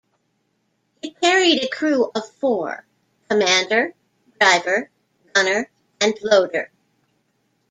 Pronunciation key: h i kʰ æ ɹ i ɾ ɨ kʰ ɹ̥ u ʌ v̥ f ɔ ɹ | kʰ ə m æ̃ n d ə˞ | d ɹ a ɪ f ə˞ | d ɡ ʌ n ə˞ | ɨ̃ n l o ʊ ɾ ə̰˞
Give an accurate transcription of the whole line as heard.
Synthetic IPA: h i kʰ ɛ ɹ i ɾ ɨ kʰ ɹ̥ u ʌ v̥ f ɔ ɹ | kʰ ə m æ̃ n d ə˞ | d ɹ a ɪ v ə˞ | d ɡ ʌ n ə˞ | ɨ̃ n l o ʊ ɾ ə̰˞